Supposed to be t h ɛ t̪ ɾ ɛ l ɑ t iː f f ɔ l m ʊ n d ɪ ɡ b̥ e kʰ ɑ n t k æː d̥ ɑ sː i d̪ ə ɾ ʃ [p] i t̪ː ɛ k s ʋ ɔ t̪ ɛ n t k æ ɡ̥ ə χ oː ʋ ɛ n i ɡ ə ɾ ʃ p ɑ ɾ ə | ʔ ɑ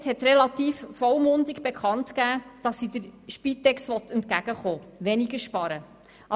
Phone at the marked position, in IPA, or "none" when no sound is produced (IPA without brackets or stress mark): p